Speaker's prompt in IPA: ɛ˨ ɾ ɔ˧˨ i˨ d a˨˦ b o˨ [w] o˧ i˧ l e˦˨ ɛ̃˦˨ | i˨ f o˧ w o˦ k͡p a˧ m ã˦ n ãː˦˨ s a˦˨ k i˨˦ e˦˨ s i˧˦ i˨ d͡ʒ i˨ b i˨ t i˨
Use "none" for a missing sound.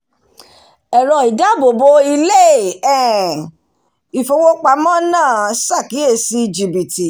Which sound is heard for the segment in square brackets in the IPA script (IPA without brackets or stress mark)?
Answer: b